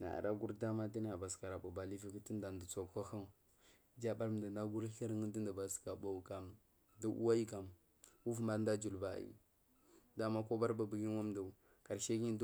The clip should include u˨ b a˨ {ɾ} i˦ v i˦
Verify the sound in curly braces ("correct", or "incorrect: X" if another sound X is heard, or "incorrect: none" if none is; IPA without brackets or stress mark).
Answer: incorrect: l